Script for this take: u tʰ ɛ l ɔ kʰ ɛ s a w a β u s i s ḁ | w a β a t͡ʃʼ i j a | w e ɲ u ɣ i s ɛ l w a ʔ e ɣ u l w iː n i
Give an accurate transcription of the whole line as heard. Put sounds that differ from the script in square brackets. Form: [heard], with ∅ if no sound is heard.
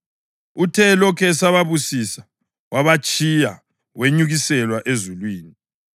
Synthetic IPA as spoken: u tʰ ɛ l ɔ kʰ ɛ s a [β] a β u s i s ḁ | w a β a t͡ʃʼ i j a | w e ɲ u ɣ i s ɛ l w a ʔ e [z] u l w iː n i